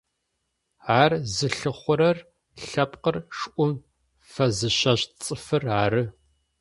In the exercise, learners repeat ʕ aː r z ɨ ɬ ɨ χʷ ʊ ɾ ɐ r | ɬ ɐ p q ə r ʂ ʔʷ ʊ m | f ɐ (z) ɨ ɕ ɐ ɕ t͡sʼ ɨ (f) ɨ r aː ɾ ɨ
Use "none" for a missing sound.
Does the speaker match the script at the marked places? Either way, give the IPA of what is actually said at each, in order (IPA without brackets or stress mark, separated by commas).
z, f